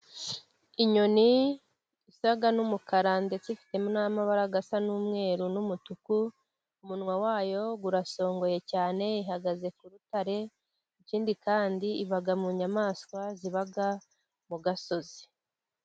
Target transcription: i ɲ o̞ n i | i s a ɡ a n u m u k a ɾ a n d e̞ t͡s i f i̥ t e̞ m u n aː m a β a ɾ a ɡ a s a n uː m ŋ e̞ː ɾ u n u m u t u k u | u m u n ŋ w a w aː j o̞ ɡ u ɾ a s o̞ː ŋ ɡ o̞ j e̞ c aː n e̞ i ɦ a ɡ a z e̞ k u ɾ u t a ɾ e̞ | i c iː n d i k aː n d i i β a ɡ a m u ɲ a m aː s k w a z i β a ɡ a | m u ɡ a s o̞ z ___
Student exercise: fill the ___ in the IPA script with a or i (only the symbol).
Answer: i